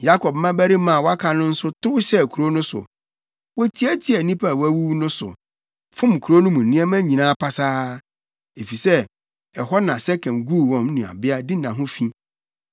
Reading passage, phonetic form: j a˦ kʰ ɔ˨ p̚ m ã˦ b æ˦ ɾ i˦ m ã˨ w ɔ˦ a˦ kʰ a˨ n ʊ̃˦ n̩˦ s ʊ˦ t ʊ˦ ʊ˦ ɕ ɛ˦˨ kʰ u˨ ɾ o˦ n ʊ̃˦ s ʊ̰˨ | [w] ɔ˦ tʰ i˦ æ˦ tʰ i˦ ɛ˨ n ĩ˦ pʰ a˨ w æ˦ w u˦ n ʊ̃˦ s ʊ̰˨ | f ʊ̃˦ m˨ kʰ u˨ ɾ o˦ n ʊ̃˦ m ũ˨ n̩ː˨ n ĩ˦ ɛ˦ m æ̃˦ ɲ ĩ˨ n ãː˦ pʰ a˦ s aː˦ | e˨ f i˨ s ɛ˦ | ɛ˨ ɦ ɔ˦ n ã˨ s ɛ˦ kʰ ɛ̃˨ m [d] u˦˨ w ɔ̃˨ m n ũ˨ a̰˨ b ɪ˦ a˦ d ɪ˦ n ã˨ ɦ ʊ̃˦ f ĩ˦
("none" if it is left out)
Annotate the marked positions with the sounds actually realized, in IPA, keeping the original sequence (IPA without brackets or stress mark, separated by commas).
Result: w, ɡ